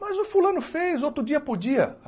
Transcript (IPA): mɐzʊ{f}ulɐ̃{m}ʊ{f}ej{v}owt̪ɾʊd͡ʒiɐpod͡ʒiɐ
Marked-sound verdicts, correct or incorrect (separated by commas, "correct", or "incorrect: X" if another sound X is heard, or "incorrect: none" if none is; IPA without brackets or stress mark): correct, incorrect: n, correct, incorrect: z